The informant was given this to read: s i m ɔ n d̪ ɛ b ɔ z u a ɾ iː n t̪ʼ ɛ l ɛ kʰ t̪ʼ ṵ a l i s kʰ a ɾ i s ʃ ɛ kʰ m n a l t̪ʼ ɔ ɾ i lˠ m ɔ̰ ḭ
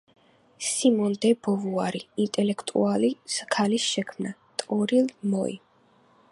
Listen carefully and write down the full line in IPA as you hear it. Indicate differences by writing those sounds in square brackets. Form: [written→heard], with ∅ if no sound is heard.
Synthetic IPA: s i m ɔ n d̪ ɛ b ɔ [z→v] u a ɾ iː n t̪ʼ ɛ l ɛ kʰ t̪ʼ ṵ a l i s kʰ a [ɾ→l] i s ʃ ɛ kʰ m n a [l→∅] t̪ʼ ɔ ɾ i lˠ m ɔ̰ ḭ